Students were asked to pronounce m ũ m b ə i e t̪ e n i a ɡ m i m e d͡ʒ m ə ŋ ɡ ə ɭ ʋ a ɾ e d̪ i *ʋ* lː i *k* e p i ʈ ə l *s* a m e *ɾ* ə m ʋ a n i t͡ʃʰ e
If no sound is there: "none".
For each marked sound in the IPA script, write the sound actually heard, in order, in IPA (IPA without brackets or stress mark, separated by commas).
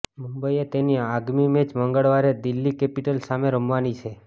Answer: none, k, s, ɾ